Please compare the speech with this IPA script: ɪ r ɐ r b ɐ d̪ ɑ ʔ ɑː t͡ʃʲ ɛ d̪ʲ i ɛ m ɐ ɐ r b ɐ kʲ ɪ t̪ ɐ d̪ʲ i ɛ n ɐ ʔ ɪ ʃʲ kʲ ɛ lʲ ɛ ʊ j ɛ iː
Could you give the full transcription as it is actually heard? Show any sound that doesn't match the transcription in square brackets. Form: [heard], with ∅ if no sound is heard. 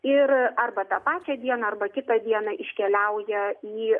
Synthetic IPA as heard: ɪ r ɐ r b ɐ [t̪] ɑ [p] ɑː t͡ʃʲ ɛ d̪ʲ i ɛ [n] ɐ ɐ r b ɐ kʲ ɪ t̪ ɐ d̪ʲ i ɛ n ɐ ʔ ɪ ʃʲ kʲ ɛ lʲ ɛ ʊ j ɛ iː